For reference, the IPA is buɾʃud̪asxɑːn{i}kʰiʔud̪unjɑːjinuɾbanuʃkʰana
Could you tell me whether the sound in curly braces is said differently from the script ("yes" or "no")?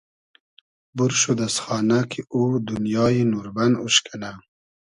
yes